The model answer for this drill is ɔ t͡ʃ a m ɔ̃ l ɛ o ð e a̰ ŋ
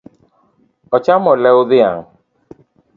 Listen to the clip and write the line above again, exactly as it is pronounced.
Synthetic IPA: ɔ t͡ʃ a m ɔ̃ l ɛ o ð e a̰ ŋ